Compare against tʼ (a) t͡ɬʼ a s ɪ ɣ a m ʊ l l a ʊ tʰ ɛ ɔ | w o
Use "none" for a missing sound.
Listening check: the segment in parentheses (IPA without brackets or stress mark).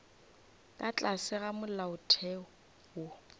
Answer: a